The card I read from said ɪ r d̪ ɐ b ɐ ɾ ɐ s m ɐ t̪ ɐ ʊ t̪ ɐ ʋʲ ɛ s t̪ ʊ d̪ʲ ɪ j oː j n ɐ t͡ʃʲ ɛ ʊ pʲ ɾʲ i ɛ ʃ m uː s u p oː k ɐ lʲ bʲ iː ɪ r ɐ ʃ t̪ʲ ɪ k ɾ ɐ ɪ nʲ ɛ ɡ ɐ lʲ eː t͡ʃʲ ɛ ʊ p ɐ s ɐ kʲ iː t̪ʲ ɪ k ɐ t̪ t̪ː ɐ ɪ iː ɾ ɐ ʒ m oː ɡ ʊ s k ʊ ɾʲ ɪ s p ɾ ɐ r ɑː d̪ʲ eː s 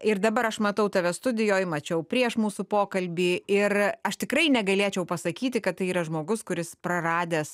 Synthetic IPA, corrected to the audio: ɪ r d̪ ɐ b ɐ ɾ ɐ ʃ m ɐ t̪ ɐ ʊ t̪ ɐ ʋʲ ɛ s t̪ ʊ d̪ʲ ɪ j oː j m ɐ t͡ʃʲ ɛ ʊ pʲ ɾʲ i ɛ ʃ m uː s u p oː k ɐ lʲ bʲ iː ɪ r ɐ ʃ t̪ʲ ɪ k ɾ ɐ ɪ nʲ ɛ ɡ ɐ lʲ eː t͡ʃʲ ɛ ʊ p ɐ s ɐ kʲ iː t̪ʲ ɪ k ɐ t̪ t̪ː ɐ ɪ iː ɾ ɐ ʒ m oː ɡ ʊ s k ʊ ɾʲ ɪ s p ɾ ɐ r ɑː d̪ʲ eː s